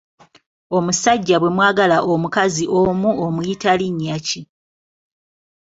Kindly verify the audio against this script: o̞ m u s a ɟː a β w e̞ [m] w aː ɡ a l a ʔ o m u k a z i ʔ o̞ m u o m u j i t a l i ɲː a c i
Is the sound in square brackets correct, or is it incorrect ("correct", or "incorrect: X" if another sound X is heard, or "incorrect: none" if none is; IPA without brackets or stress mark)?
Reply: correct